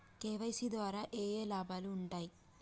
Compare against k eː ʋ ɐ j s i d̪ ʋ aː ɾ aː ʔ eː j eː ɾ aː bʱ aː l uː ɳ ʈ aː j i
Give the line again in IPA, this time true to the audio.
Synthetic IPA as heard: k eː ʋ ɐ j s i d̪ ʋ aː ɾ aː ʔ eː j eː l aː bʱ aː l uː ɳ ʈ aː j i